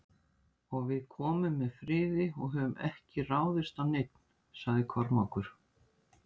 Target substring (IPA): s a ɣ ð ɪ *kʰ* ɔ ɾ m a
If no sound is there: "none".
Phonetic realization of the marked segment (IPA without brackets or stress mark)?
kʰ